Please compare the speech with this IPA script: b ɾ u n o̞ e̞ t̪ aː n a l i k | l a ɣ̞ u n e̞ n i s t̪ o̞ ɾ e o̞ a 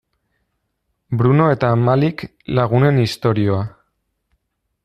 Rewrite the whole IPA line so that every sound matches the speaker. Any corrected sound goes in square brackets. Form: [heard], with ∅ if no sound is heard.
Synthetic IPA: b ɾ u n o̞ e̞ t̪ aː [m] a l i k | l a ɣ̞ u n e̞ n i s t̪ o̞ ɾ [i] o̞ a